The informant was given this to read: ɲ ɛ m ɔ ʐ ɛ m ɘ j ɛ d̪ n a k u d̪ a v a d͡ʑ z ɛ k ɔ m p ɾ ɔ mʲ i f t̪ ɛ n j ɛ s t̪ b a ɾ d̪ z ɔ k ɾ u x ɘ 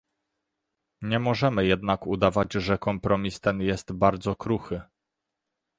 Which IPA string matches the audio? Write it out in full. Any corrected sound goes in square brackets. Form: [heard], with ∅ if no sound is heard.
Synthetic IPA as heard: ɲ ɛ m ɔ ʐ ɛ m ɘ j ɛ d̪ n a k u d̪ a v a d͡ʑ [ʐ] ɛ k ɔ m p ɾ ɔ mʲ i [s] t̪ ɛ n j ɛ s t̪ b a ɾ d̪ z ɔ k ɾ u x ɘ